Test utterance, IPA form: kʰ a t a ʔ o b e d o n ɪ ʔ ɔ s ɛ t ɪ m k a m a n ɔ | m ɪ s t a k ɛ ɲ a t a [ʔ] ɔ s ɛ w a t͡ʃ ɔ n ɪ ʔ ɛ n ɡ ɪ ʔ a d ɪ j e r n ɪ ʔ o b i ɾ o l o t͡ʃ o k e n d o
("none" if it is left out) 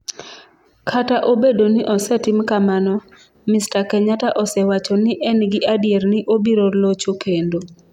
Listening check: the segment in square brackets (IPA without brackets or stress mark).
ʔ